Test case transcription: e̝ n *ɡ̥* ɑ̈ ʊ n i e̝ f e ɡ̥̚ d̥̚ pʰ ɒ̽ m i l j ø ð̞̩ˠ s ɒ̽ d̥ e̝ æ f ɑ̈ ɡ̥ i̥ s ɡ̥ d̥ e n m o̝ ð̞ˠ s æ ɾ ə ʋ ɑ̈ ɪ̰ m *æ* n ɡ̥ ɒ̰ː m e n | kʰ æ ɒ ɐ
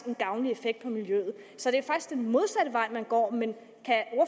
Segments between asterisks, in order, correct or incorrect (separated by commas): correct, correct